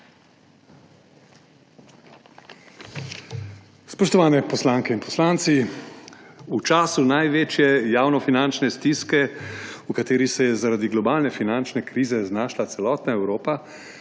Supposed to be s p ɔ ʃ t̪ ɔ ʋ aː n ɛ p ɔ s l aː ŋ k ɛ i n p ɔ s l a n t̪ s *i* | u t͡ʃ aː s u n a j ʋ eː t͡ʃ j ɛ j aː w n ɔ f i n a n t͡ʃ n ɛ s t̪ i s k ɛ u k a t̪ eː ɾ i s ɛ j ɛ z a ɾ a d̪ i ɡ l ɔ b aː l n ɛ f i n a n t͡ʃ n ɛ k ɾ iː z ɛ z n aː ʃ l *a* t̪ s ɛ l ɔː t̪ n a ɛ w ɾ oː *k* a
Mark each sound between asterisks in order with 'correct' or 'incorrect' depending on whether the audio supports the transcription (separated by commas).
correct, correct, incorrect